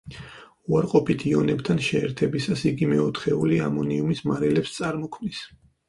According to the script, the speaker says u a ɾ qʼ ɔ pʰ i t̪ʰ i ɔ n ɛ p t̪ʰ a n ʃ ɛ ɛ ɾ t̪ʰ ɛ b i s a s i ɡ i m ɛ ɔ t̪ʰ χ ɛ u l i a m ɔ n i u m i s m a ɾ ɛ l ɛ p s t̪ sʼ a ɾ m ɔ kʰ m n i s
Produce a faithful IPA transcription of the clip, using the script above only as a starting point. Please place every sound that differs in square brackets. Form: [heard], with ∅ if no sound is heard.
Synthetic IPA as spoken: u a ɾ qʼ ɔ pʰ i t̪ʰ i ɔ n ɛ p t̪ʰ a n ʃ ɛ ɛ ɾ t̪ʰ ɛ b i s a s i ɡ i m ɛ ɔ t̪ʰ χ ɛ u l i a m ɔ n i u m i s m a ɾ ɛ l ɛ p s t̪ sʼ a ɾ m ɔ kʰ m n i s

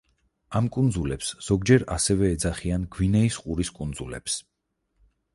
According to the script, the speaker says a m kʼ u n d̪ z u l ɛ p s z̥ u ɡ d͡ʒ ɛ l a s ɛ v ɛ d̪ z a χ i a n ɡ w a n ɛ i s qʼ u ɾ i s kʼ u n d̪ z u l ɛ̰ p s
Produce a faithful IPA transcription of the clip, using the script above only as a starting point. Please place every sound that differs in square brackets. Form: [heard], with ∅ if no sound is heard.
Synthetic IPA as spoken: a m kʼ u n d̪ z u l ɛ p s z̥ [ɔ] ɡ d͡ʒ ɛ [ɾ] a s ɛ v [ɛː] d̪ z a χ i a n ɡ w [i] n ɛ i s qʼ u ɾ i s kʼ u n d̪ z u l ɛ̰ p s

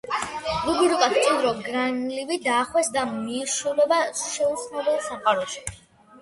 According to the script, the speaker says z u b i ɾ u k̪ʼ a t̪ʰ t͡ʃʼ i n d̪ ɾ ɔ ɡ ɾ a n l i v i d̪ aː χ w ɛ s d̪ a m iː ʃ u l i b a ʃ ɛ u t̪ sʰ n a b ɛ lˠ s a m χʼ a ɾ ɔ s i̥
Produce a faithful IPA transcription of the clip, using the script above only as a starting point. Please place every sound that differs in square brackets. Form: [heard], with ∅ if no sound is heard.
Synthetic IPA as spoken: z u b i ɾ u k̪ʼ a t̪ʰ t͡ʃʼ i n d̪ ɾ ɔ ɡ ɾ a n l i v i d̪ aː χ w ɛ s d̪ a m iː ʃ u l [ɛ] b a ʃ ɛ u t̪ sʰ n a b ɛ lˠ s a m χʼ a ɾ ɔ [ʃ] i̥

